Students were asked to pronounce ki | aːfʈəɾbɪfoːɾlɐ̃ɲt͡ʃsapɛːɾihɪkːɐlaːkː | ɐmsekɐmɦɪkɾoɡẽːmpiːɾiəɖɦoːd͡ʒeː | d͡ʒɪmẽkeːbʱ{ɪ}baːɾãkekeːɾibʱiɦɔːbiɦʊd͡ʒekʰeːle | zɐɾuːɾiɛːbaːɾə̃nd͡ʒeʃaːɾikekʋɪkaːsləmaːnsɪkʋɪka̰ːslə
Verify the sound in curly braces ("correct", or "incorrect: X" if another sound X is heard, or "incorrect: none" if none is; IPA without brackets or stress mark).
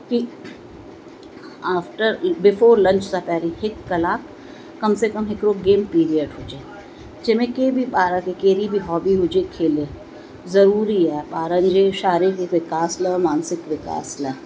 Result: incorrect: i